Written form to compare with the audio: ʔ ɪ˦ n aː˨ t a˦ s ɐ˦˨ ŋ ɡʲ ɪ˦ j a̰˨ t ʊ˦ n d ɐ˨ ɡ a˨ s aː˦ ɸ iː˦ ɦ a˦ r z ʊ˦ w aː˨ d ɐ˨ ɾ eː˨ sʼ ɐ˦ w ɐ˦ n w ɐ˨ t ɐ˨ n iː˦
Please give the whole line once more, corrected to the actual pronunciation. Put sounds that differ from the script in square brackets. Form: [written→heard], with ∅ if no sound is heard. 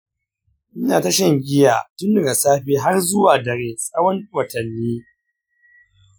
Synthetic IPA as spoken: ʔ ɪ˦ n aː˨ t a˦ [s→ʃ] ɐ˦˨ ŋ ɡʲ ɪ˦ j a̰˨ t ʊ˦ n d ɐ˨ ɡ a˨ s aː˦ ɸ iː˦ ɦ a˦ r z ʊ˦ w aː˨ d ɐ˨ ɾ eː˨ sʼ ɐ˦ w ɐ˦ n w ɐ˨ t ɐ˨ [n→nː] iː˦